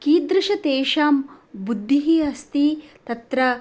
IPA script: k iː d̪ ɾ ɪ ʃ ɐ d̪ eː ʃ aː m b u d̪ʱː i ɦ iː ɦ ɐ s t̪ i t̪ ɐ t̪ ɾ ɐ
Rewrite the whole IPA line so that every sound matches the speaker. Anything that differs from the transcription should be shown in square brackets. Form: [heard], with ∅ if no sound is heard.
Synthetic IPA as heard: k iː d̪ ɾ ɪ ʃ ɐ [t̪] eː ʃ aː m b u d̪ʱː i ɦ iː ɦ ɐ s t̪ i t̪ ɐ t̪ ɾ ɐ